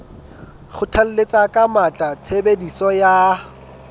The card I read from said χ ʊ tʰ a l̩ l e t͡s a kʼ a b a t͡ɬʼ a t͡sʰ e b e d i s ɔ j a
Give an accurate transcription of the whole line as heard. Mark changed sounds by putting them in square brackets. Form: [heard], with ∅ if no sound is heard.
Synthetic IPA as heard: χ ʊ tʰ a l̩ l e t͡s a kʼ a [m] a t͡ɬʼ a t͡sʰ e b e d i s ɔ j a